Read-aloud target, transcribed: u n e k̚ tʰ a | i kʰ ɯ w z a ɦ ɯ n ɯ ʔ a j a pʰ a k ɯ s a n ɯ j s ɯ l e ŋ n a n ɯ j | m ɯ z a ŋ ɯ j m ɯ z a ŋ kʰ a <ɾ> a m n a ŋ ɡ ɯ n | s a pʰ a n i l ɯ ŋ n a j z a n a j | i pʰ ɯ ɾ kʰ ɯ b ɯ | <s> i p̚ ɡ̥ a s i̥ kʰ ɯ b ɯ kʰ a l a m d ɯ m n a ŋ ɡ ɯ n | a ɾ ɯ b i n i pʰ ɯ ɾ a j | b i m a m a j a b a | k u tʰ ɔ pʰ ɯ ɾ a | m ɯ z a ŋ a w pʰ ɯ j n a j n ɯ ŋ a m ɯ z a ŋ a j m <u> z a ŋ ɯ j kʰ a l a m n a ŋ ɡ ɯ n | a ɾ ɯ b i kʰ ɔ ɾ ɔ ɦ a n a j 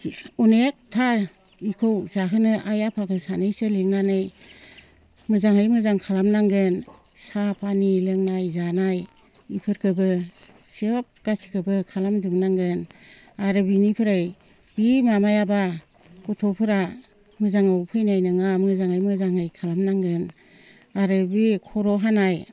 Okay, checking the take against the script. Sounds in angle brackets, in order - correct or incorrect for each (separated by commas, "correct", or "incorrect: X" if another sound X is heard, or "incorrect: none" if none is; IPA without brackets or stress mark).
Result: incorrect: l, correct, incorrect: ɯ